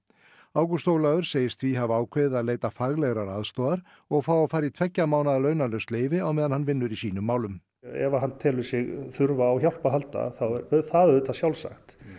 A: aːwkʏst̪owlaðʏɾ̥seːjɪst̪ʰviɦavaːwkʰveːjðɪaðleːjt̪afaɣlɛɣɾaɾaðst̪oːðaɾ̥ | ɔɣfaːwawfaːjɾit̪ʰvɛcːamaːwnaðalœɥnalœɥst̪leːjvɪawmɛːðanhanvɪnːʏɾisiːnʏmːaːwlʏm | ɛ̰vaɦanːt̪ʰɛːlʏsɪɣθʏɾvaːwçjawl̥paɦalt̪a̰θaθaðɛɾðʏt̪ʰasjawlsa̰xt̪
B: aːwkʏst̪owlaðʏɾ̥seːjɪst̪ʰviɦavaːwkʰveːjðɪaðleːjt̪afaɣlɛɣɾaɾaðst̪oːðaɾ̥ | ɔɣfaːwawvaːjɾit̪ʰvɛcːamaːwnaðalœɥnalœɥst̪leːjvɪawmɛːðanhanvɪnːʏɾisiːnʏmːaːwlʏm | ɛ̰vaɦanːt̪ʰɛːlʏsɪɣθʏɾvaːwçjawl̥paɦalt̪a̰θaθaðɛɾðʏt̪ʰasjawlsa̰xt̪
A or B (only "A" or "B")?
A